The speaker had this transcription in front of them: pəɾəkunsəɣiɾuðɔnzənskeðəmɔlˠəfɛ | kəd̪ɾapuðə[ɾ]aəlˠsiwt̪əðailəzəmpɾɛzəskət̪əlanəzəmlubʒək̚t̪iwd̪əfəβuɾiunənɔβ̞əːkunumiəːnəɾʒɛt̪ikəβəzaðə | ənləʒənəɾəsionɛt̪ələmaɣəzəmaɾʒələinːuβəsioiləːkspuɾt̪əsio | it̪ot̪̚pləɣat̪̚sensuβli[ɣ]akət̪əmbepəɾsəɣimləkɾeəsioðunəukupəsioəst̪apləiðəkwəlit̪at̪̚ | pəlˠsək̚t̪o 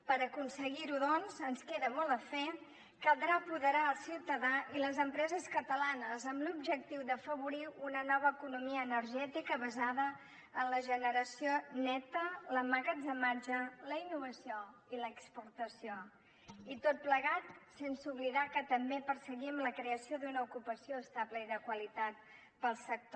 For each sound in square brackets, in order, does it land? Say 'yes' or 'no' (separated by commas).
yes, no